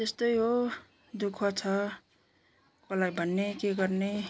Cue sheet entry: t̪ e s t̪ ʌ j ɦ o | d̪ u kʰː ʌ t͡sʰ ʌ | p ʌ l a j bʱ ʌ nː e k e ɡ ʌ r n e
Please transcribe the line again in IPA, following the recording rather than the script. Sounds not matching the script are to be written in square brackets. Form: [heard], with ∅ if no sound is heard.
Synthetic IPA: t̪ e s t̪ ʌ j ɦ o | d̪ u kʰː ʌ t͡sʰ ʌ | [k] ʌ l a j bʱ ʌ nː e k e ɡ ʌ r n e